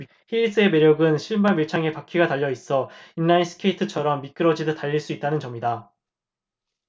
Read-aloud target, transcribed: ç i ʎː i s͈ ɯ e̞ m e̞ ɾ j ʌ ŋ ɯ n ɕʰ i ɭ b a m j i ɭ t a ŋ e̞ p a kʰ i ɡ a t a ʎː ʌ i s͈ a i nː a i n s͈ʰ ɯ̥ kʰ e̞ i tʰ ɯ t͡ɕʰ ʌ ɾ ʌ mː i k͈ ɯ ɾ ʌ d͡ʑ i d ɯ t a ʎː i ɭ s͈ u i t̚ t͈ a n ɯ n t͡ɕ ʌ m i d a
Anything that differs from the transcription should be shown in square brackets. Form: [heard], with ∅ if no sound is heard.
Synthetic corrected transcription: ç i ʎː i s͈ ɯ e̞ m e̞ ɾ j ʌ [ɡ] ɯ n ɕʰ i ɭ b a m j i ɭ [t͡ɕʰ] a ŋ e̞ p a kʰ i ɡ a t a ʎː ʌ i s͈ [ʌ] i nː a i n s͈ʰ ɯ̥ kʰ e̞ i tʰ ɯ t͡ɕʰ ʌ ɾ ʌ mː i k͈ ɯ ɾ ʌ d͡ʑ i d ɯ t a ʎː i ɭ s͈ u i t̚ t͈ a n ɯ n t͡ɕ ʌ m i d a